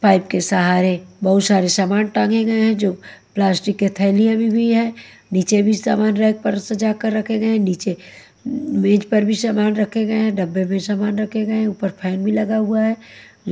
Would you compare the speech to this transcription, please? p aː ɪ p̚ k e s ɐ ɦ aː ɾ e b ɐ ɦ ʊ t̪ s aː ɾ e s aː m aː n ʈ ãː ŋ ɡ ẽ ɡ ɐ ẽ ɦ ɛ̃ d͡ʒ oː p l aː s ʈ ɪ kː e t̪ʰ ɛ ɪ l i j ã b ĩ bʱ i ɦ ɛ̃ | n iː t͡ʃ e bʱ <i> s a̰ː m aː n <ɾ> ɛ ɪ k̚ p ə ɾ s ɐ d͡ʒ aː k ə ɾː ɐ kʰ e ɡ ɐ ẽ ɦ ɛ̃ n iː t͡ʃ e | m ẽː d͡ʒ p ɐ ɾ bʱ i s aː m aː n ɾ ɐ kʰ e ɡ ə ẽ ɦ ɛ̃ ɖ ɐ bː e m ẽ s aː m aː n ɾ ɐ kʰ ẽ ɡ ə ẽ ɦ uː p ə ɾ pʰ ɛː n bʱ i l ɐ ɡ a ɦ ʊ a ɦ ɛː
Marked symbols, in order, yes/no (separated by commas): yes, yes